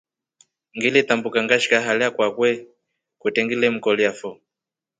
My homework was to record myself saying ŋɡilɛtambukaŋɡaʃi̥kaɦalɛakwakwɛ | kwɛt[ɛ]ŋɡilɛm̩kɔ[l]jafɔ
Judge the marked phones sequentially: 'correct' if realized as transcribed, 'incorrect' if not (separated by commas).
correct, correct